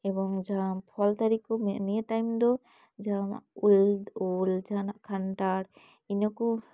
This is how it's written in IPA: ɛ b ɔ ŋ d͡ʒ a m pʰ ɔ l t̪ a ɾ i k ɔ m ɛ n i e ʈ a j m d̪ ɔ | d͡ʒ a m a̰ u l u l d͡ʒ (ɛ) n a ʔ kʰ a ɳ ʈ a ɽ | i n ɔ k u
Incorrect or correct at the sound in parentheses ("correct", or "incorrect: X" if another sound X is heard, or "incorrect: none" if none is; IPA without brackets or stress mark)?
incorrect: a